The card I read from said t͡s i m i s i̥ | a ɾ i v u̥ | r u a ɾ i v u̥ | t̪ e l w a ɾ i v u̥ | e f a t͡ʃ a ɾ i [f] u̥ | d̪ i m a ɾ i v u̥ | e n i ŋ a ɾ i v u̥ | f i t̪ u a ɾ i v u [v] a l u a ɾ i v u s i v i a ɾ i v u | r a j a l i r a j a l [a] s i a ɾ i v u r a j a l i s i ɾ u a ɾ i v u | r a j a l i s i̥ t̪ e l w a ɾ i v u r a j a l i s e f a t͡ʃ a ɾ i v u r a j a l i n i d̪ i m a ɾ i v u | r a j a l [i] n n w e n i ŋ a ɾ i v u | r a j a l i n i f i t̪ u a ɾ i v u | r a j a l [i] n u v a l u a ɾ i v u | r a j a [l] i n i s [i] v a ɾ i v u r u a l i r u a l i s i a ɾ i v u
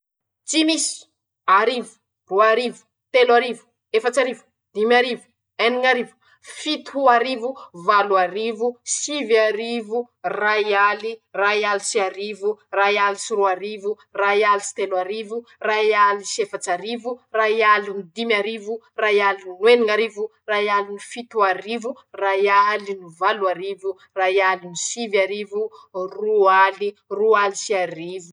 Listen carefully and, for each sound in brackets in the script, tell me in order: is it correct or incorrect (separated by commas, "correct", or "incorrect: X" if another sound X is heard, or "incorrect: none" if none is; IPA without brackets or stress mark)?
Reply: incorrect: v, correct, incorrect: i, correct, correct, correct, correct